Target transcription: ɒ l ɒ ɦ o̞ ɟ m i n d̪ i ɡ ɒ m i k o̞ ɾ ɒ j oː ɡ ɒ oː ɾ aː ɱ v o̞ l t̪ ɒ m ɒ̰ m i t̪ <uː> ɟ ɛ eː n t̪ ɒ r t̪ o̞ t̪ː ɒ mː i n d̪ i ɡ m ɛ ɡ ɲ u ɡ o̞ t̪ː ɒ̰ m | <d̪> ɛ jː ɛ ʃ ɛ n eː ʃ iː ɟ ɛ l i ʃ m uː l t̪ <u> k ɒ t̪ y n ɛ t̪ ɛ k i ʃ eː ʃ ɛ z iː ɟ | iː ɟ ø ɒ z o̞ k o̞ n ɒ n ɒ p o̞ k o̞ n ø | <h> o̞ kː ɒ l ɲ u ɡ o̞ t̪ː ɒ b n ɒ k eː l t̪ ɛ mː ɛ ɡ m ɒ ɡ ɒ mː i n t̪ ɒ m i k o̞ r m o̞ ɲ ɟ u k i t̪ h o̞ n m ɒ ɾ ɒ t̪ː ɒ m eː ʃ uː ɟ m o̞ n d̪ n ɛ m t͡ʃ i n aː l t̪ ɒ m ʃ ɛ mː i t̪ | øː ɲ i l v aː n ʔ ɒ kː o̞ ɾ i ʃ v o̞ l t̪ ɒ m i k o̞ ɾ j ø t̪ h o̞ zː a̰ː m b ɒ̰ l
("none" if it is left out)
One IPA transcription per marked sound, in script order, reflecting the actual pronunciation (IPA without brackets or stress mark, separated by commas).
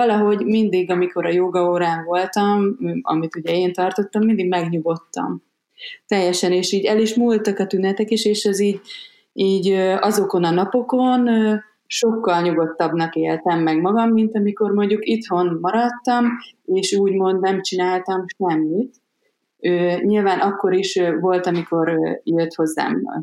u, t̪, ɒ, ʃ